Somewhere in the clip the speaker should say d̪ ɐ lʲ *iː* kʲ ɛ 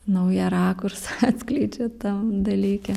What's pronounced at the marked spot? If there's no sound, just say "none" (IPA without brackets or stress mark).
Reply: iː